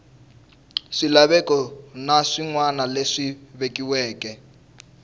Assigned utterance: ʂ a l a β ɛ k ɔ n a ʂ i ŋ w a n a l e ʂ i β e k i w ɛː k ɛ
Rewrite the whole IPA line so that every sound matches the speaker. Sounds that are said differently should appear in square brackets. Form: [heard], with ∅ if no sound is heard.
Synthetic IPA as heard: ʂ [i] l a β ɛ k ɔ n a ʂ i ŋ w a n a l e ʂ i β e k i w ɛː k ɛ